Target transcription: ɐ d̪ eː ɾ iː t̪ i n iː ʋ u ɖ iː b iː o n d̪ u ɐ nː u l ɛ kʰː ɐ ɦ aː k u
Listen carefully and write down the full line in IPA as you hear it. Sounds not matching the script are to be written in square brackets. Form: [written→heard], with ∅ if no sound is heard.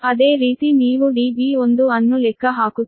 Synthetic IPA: ɐ d̪ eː ɾ iː t̪ i n iː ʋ u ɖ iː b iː o n d̪ u ɐ nː u l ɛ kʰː ɐ ɦ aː k u